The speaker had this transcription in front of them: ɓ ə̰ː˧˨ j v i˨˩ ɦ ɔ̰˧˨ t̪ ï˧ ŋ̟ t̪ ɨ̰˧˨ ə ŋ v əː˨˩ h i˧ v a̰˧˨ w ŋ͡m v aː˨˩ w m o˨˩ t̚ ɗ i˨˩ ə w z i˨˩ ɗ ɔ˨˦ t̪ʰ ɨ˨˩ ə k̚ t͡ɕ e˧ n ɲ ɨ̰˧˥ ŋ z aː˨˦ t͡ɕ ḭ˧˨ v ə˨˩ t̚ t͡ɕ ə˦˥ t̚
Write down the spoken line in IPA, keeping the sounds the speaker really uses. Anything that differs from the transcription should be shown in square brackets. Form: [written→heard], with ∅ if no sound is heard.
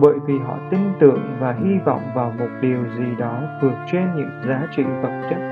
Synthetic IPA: ɓ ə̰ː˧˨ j v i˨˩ ɦ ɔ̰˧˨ t̪ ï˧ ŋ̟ t̪ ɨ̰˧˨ ə ŋ v [əː˨˩→aː˨˩] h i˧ v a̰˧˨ w ŋ͡m v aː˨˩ w m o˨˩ t̚ ɗ i˨˩ ə w z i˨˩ ɗ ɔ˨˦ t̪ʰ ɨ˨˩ ə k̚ t͡ɕ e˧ n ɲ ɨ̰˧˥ ŋ z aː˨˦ t͡ɕ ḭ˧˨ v ə˨˩ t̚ t͡ɕ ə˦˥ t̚